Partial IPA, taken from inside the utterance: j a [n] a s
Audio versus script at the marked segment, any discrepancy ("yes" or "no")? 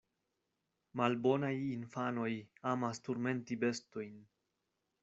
yes